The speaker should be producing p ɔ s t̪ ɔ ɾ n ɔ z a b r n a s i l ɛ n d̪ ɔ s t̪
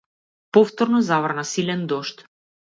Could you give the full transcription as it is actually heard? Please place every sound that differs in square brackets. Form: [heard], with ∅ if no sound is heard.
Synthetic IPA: p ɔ [f] t̪ ɔ ɾ n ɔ z a [v] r n a s i l ɛ n d̪ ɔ [ʃ] t̪